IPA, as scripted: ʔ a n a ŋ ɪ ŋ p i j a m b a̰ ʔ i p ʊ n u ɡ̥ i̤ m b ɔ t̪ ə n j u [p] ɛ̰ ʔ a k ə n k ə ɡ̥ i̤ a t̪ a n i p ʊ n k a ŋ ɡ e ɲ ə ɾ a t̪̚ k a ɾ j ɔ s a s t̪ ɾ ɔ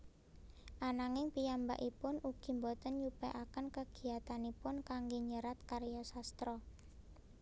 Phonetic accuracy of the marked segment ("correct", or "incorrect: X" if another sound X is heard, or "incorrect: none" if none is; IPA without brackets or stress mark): correct